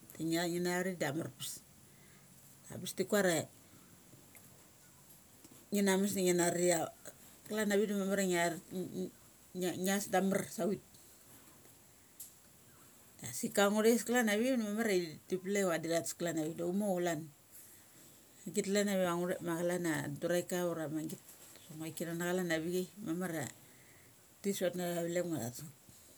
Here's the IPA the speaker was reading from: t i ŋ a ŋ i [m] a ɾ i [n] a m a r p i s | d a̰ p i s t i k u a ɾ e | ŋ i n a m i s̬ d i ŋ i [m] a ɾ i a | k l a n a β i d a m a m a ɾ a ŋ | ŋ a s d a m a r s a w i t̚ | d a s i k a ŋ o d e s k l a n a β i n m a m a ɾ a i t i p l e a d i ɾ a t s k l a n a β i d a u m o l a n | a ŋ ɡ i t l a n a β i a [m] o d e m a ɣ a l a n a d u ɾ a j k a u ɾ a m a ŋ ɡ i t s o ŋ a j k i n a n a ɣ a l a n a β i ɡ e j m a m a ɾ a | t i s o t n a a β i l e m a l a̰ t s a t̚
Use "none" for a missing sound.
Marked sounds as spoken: n, d, n, ŋ

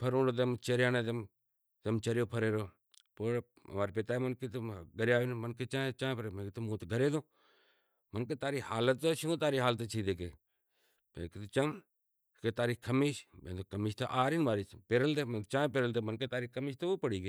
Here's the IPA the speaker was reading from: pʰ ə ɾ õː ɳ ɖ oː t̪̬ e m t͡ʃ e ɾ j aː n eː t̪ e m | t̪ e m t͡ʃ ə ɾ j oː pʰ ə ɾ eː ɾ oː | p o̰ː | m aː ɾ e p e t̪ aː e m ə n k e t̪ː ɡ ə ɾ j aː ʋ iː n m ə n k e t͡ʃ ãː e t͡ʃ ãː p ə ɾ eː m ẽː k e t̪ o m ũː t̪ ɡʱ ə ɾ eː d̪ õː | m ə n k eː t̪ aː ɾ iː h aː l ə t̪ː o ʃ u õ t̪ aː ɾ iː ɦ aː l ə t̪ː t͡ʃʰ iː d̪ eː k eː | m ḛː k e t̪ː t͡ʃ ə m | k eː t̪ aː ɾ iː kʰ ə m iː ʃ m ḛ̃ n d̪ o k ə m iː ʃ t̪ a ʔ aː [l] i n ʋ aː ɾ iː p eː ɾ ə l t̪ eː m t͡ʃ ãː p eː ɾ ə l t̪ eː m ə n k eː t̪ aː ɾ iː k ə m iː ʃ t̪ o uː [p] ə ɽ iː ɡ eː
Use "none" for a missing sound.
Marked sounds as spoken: ɾ, p

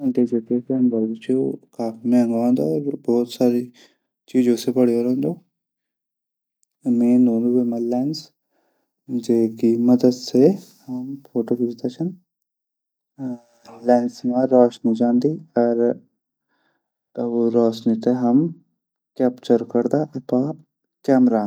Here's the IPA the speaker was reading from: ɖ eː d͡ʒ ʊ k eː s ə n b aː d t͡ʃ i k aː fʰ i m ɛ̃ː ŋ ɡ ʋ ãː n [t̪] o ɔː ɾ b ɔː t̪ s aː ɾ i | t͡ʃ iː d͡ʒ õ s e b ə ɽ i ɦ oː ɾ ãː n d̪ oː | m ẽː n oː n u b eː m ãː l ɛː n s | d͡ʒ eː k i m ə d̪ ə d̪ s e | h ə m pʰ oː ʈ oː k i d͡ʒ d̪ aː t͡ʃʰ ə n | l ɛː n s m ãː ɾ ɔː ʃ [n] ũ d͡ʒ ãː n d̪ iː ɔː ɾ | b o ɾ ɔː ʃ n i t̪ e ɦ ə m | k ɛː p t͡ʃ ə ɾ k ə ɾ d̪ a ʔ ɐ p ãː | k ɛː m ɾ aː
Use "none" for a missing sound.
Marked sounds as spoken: d̪, n

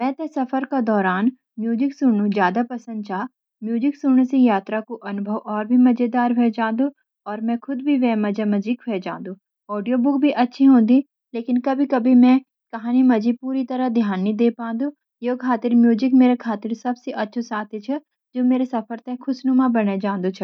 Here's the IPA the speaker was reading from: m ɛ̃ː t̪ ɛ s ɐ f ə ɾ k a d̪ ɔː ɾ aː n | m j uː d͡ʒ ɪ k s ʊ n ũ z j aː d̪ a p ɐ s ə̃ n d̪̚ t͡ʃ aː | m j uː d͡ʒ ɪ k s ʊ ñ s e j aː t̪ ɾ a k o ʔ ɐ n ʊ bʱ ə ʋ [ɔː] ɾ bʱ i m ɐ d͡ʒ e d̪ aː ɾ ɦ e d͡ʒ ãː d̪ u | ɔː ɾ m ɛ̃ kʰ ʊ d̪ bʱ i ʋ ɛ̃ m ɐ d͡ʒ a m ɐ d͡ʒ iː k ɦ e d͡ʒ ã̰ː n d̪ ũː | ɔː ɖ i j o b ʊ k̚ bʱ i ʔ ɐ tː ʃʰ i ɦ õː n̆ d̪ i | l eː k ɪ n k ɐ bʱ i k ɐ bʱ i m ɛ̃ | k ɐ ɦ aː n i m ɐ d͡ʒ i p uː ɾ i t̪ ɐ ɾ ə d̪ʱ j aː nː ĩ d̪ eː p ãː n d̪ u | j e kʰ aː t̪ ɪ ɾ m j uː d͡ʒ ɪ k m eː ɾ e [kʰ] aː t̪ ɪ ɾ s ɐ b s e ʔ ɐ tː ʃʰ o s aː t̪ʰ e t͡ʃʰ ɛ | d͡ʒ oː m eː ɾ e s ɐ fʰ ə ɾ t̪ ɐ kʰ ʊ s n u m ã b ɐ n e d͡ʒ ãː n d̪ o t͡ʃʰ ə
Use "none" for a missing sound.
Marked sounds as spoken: ɔː, kʰ

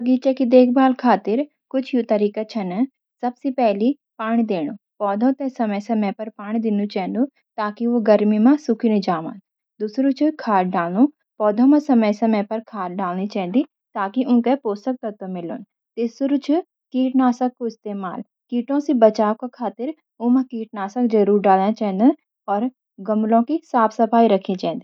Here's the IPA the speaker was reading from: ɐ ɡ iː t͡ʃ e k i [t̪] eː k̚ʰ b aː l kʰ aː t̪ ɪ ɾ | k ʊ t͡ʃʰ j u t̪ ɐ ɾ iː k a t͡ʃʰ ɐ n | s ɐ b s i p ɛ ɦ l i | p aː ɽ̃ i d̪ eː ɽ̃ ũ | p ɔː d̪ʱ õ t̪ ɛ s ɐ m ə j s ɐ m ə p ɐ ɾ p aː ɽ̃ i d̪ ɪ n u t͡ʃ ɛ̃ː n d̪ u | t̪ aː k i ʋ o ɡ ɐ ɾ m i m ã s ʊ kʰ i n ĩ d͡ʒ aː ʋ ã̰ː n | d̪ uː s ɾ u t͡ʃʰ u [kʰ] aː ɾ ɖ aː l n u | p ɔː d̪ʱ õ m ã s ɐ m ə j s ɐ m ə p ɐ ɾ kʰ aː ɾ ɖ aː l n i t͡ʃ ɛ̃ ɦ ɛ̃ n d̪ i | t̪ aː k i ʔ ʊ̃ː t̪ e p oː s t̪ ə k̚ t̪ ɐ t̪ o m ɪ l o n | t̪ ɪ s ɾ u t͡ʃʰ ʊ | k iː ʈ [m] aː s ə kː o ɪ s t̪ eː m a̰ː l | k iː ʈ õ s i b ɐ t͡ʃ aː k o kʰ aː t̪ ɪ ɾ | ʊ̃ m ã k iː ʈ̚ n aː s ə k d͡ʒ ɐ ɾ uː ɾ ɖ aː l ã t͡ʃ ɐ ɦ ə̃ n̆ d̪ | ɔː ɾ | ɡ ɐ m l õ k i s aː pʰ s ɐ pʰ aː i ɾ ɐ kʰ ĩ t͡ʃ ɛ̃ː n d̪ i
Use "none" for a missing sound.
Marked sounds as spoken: d̪, kʰ, n

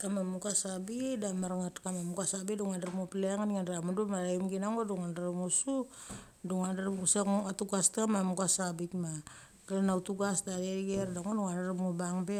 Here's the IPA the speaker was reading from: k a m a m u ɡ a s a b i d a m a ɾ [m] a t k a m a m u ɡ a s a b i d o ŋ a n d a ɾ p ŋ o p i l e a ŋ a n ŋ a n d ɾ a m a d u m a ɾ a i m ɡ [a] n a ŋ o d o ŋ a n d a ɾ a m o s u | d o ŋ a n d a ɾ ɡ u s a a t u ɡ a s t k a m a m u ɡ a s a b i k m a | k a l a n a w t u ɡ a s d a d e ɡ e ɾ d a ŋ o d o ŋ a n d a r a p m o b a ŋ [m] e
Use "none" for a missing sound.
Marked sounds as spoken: ŋ, i, b

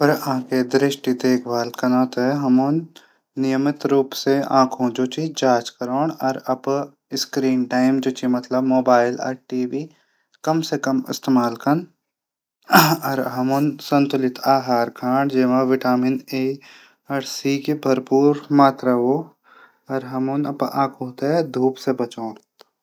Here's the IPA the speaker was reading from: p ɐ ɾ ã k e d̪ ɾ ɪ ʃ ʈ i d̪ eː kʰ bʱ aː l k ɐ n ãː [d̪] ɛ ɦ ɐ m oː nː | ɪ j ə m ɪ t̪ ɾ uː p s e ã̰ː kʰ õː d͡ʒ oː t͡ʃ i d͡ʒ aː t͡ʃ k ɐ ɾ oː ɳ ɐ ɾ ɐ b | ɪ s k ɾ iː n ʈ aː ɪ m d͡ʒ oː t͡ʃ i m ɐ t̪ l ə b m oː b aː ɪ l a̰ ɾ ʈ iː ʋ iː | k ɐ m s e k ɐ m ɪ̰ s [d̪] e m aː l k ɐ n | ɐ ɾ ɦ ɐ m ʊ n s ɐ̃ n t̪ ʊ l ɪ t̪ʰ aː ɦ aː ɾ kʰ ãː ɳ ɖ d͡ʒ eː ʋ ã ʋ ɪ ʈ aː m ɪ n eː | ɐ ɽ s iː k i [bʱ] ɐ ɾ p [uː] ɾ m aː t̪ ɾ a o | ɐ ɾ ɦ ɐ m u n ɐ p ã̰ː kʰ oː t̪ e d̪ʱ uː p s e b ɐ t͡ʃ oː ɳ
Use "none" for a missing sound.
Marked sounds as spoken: t̪, t̪, bʱ, uː

